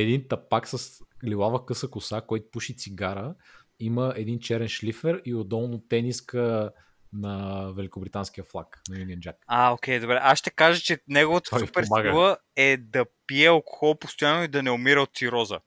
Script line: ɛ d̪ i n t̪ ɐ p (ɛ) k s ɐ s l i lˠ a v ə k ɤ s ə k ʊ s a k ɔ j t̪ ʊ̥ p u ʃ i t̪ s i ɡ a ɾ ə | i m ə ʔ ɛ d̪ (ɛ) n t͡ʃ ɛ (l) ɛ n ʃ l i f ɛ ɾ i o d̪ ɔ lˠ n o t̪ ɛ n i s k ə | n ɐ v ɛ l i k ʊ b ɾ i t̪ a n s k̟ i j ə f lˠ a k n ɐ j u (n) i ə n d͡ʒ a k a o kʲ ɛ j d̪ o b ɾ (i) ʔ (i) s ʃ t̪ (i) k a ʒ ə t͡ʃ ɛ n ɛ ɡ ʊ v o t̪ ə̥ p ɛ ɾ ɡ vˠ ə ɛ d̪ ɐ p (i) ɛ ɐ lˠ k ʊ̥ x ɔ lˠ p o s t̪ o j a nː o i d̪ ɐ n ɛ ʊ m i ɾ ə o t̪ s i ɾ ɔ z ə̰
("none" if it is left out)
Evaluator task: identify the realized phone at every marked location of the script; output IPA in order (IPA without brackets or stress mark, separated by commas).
a, i, ɾ, n, ɛ, a, ɛ, i